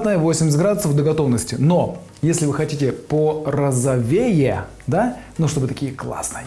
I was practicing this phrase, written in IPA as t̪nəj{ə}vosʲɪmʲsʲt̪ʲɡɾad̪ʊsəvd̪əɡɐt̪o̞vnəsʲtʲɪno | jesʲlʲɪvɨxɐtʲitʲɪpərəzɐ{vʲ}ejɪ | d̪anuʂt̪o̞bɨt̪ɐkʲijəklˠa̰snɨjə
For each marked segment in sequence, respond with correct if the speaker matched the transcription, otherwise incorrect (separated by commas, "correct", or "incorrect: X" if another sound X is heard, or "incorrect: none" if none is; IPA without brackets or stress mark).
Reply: correct, correct